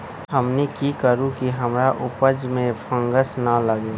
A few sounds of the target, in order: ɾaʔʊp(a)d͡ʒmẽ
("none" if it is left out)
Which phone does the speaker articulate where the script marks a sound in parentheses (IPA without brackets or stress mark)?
ə